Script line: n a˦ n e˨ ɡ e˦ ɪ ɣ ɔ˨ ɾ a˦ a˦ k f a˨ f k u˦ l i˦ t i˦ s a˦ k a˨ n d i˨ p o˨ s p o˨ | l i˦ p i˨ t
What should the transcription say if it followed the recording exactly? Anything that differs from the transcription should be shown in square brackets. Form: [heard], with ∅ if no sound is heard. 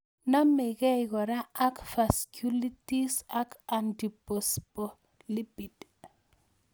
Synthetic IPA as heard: n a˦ [m] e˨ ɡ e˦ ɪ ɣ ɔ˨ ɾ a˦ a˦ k f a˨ [s] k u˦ l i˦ t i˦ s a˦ k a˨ n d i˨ p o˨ s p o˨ | l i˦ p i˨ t